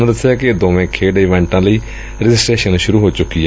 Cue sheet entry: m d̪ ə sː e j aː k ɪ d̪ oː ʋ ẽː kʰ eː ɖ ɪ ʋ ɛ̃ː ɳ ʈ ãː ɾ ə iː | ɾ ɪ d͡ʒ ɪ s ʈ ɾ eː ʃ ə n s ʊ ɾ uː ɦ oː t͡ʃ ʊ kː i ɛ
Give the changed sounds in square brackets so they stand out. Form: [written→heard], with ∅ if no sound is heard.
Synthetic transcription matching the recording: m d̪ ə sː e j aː k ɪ d̪ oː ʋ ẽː kʰ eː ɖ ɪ ʋ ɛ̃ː ɳ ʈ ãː [ɾ→l] ə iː | ɾ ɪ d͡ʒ ɪ s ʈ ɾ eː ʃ ə n [s→ʃ] ʊ ɾ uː ɦ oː t͡ʃ ʊ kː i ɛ

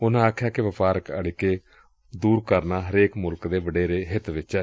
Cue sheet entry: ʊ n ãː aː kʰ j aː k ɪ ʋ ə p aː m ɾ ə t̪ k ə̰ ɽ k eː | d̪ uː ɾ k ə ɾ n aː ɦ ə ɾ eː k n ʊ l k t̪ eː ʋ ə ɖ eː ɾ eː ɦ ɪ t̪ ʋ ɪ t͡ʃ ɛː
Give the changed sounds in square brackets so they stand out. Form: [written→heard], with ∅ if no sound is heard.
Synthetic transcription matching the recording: ʊ n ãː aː kʰ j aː k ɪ ʋ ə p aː [m→∅] ɾ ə [t̪→∅] k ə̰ ɽ k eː | d̪ uː ɾ k ə ɾ n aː ɦ ə ɾ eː k [n→m] ʊ l k [t̪→d̪] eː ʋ ə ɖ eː ɾ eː ɦ ɪ t̪ ʋ ɪ t͡ʃ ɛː

